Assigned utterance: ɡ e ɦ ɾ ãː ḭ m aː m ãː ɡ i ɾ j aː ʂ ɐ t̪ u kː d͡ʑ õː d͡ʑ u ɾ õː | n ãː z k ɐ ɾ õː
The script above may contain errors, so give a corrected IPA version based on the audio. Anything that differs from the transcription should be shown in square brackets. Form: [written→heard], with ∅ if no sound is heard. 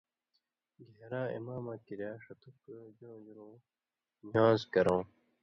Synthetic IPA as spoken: ɡ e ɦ ɾ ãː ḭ m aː m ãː [ɡ→k] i ɾ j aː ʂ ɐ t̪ u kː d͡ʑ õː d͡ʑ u ɾ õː | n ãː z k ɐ ɾ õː